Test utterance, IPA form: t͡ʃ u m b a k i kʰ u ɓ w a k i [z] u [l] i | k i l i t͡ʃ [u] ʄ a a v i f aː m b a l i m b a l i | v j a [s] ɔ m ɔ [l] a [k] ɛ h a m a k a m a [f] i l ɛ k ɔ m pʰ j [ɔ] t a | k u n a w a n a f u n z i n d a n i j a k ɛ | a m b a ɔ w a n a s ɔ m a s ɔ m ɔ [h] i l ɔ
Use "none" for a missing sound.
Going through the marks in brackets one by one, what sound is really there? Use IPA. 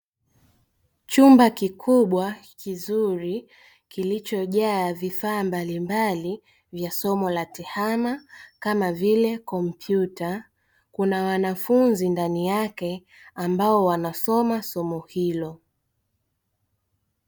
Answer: z, ɾ, ɔ, s, l, t, v, u, h

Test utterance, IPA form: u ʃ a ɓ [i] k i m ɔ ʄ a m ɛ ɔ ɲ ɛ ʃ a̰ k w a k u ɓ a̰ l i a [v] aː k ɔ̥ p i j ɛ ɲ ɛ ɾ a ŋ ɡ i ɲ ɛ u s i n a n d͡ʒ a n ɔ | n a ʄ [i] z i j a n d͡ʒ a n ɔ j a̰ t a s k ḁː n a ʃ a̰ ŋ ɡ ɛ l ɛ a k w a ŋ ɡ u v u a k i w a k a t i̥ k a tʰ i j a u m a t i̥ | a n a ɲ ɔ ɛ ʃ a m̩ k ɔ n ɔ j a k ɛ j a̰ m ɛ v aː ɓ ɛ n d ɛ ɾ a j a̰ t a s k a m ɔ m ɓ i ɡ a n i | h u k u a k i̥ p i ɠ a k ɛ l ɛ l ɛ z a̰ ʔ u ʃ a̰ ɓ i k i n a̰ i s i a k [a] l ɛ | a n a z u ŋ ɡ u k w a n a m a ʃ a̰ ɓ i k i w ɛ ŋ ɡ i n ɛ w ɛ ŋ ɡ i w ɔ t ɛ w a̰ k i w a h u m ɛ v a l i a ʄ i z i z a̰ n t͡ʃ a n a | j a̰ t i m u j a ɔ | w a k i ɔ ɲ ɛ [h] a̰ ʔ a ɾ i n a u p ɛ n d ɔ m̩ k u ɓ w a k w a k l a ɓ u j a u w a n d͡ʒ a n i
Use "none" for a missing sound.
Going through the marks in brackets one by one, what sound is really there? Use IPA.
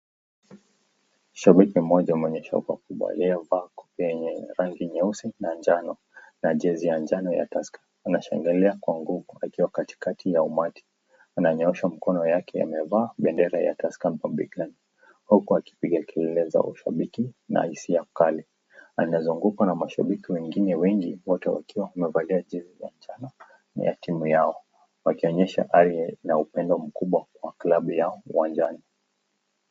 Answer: i, v, ɛ, a, ʃ

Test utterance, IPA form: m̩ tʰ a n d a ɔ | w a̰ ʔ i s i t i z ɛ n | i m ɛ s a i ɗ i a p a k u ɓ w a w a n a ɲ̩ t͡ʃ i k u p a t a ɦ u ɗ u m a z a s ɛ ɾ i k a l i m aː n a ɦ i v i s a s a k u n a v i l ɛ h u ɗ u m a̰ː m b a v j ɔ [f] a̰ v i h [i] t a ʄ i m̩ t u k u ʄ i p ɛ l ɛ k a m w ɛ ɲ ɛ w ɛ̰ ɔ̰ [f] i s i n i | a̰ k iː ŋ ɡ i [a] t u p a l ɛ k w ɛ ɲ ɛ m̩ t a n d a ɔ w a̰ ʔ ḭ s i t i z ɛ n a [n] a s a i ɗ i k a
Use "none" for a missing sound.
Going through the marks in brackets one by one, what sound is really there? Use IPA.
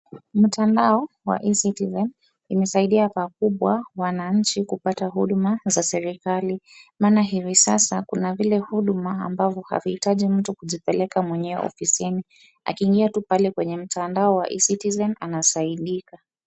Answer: h, i, f, a, n

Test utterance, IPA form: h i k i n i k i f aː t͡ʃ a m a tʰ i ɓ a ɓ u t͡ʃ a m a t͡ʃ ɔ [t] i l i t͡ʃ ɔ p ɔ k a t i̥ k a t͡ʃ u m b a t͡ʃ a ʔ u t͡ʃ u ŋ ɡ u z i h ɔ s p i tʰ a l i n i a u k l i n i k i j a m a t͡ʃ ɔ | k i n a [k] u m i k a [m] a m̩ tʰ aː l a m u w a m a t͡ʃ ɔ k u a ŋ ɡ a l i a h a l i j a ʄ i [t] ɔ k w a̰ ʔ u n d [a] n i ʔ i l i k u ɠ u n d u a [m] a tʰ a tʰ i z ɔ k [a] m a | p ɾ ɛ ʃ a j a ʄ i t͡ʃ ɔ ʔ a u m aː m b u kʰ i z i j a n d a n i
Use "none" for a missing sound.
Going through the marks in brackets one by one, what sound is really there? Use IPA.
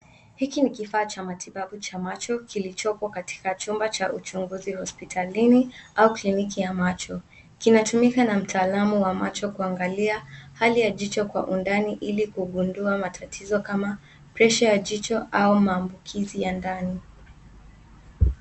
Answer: k, t, n, t͡ʃ, a, m, a

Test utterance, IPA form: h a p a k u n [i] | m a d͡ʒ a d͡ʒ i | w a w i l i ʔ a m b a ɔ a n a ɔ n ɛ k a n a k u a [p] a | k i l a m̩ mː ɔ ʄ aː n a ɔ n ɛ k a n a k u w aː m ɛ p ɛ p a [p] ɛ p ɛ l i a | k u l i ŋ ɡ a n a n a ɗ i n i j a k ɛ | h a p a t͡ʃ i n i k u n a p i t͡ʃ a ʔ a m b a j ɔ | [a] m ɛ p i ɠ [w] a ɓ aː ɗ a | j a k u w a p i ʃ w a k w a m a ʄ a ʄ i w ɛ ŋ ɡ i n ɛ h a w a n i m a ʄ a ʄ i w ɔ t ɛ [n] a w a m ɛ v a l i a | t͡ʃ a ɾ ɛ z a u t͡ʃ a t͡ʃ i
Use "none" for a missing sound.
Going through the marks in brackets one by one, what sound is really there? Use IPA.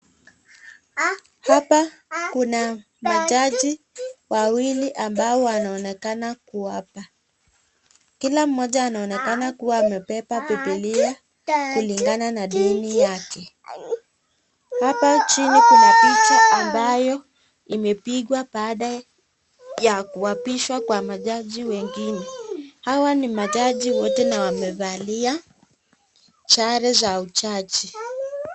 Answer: a, p, p, i, w, n

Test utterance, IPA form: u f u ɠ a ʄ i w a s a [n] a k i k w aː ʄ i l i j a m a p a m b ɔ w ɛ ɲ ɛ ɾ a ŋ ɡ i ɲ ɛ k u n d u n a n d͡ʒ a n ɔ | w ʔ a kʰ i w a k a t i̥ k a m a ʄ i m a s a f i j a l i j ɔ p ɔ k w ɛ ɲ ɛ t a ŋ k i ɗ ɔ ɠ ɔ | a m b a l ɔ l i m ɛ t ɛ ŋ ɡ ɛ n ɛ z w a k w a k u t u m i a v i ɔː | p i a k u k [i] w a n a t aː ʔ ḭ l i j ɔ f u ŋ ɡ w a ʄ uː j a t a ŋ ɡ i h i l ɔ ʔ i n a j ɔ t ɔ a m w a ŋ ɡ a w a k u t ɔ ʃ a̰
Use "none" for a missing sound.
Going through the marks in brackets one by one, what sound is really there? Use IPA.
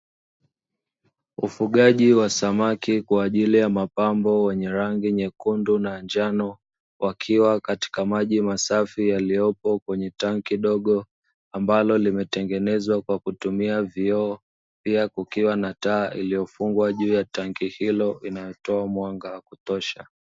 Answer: m, i

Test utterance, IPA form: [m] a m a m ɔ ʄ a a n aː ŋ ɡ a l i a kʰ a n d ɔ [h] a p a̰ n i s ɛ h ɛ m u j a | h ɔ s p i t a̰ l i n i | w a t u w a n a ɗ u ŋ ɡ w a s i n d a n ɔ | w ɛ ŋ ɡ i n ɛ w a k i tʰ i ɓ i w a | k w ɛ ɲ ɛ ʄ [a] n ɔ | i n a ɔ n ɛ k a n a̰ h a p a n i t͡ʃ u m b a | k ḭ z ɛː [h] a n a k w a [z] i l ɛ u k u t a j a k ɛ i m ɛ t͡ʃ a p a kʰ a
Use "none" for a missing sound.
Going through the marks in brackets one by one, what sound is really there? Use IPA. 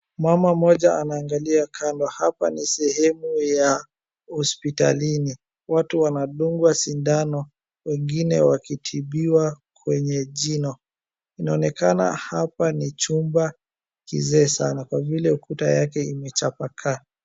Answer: m, h, i, s, v

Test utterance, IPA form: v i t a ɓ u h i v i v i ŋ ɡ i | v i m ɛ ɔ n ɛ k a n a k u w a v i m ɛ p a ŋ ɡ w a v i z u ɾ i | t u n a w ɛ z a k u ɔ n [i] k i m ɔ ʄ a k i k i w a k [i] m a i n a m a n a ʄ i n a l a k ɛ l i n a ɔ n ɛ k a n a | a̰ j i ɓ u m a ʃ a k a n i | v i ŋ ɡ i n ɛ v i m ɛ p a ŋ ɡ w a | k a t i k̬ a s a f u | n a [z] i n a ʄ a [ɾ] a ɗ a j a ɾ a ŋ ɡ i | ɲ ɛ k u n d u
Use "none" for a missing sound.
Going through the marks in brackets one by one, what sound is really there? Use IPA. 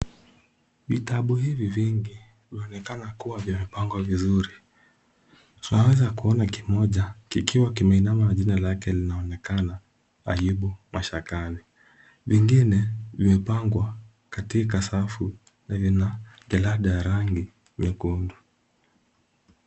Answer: a, i, v, l

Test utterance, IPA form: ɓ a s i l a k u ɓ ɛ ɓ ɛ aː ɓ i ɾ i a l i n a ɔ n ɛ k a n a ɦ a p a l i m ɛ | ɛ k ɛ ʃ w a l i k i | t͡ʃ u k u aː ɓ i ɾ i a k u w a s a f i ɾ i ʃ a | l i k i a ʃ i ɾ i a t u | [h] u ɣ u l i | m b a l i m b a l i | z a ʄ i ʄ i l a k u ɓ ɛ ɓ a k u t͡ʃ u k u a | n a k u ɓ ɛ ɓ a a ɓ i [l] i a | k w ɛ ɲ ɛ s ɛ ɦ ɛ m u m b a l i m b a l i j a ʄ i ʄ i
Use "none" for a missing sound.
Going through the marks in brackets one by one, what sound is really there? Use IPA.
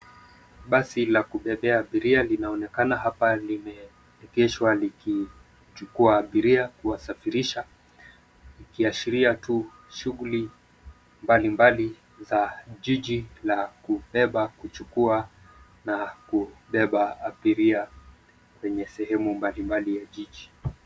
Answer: ʃ, ɾ

